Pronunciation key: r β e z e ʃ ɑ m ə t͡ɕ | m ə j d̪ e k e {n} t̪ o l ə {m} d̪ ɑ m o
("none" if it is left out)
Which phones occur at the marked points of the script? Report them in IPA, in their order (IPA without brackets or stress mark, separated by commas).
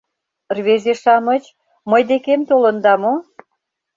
m, n